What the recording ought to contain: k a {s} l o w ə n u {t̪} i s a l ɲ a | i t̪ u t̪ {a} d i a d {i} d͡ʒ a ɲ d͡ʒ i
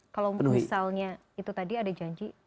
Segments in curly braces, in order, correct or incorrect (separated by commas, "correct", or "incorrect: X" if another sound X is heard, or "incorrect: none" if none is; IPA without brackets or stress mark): incorrect: none, incorrect: none, correct, incorrect: a